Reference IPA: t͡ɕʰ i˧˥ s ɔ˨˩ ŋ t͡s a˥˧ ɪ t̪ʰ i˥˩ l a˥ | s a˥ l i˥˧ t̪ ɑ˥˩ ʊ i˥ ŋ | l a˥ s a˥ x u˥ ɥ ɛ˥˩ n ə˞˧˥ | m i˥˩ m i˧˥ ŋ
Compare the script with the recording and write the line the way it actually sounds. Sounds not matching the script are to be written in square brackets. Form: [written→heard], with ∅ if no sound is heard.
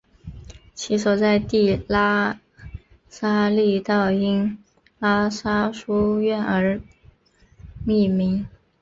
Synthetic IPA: t͡ɕʰ i˧˥ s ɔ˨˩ [ŋ→∅] t͡s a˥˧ ɪ [t̪ʰ→t̪] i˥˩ l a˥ | s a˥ l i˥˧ t̪ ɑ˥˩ ʊ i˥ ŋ | l a˥ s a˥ [x→ʂ] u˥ ɥ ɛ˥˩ n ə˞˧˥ | m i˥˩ m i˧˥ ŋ